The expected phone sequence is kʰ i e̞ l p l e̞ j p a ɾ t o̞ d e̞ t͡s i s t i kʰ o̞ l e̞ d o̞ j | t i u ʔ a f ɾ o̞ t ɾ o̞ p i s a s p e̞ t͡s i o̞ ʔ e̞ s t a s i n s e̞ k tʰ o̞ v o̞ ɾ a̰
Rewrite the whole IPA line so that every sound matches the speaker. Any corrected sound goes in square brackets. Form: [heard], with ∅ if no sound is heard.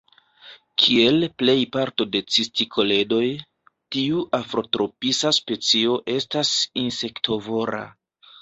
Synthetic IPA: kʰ i e̞ l p l e̞ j p a ɾ t o̞ d e̞ t͡s i s t i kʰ o̞ l e̞ d o̞ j | t i u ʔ a f ɾ o̞ t ɾ o̞ p i s a s p e̞ t͡s i o̞ ʔ e̞ s t a s i n s e̞ k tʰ o̞ v o̞ ɾ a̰